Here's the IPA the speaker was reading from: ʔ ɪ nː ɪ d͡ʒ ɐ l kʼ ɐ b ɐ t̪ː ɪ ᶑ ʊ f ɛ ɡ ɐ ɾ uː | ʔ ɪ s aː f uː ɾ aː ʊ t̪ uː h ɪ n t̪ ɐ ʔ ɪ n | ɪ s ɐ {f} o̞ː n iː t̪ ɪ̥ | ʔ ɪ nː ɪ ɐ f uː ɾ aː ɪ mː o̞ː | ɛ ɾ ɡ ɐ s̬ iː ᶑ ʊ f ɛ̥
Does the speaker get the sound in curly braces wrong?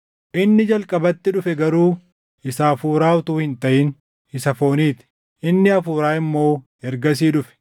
no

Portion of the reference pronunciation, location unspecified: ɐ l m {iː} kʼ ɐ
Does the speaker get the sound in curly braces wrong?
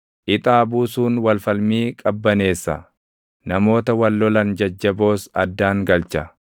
no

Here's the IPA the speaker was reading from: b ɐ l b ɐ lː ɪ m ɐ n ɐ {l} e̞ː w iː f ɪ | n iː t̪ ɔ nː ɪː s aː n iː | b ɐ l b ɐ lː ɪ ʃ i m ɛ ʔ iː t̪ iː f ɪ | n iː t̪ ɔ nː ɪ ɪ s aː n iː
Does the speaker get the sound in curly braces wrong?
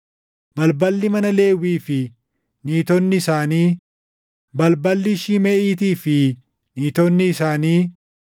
no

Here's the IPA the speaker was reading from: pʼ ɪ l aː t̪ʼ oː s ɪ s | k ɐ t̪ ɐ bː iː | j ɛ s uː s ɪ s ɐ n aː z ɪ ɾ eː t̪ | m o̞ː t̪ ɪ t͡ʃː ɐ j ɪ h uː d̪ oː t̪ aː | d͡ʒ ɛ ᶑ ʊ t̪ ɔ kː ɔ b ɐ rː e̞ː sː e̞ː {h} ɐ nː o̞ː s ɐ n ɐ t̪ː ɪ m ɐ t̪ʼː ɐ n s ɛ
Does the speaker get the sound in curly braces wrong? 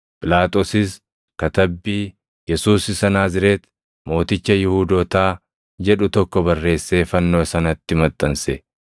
yes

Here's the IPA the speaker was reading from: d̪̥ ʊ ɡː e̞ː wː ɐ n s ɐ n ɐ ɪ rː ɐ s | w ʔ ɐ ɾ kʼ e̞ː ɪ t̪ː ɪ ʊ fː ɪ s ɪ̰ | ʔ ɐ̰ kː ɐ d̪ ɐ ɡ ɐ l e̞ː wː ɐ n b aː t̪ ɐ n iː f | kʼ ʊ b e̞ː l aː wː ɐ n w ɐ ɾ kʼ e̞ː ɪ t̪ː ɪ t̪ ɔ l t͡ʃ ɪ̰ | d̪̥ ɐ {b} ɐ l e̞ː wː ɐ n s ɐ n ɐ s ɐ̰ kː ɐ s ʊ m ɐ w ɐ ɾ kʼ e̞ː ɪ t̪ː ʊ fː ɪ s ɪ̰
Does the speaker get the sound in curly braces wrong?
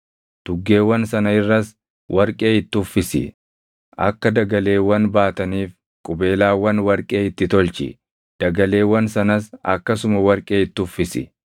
yes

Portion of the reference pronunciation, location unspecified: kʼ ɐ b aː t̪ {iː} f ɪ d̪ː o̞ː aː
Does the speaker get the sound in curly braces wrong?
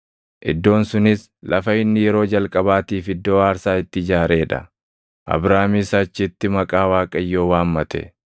no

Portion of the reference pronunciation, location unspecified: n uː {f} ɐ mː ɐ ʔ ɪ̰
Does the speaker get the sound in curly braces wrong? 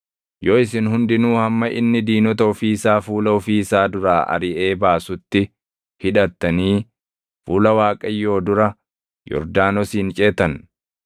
yes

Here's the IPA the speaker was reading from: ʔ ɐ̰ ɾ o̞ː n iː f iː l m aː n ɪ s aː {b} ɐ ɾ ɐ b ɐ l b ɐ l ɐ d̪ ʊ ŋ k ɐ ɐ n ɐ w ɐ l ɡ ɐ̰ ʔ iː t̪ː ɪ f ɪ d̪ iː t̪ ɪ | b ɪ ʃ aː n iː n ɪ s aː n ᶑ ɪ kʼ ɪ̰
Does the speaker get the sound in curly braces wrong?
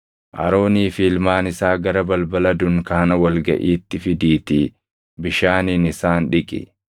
yes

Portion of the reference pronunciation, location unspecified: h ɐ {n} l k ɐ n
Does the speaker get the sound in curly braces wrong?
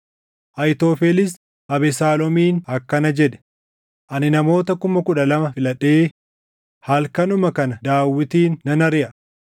yes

